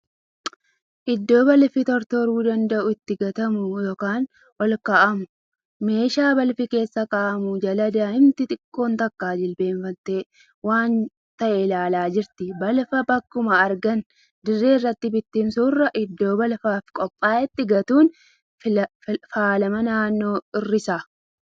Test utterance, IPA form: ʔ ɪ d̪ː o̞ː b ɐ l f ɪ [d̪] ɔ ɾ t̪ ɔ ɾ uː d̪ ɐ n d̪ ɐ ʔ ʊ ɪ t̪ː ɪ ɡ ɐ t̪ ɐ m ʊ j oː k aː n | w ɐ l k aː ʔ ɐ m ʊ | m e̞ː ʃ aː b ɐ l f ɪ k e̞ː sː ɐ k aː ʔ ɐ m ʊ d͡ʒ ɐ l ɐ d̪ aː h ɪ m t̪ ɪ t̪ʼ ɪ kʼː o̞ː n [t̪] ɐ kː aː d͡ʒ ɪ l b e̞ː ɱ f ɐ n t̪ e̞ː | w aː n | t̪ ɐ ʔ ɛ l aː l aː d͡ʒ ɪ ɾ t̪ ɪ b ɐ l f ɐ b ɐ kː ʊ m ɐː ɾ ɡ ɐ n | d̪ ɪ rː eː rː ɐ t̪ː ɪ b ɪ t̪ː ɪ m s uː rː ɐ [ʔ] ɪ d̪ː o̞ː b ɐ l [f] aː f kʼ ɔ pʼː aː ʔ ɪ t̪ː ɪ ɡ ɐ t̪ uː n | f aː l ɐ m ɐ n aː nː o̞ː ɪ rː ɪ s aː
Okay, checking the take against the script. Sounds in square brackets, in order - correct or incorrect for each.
incorrect: t̪, correct, correct, correct

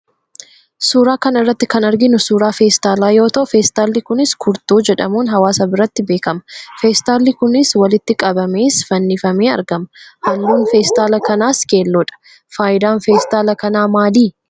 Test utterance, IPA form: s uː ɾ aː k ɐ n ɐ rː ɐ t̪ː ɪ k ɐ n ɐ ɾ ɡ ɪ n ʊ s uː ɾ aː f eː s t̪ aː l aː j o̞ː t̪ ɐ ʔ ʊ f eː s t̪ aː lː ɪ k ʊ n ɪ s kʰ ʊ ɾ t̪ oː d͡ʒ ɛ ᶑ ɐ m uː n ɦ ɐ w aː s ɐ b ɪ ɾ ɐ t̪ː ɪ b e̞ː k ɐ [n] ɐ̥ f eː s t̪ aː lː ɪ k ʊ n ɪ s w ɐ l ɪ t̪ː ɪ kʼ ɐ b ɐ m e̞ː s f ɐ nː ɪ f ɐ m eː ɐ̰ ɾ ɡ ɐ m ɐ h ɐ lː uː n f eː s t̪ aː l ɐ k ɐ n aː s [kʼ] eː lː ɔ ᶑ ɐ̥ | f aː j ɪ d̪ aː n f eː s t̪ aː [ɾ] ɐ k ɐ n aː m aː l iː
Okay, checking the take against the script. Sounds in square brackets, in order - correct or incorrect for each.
incorrect: m, incorrect: k, incorrect: l

